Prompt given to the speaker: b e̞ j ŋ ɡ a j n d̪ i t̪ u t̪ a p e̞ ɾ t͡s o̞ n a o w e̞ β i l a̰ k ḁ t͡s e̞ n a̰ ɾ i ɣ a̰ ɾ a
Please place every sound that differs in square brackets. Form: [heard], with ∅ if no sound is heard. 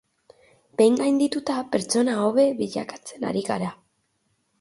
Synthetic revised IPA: b e̞ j ŋ ɡ a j n d̪ i t̪ u t̪ a p e̞ ɾ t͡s o̞ n a o [β] e̞ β i [ʎ] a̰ k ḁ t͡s e̞ n a̰ ɾ i ɣ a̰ ɾ a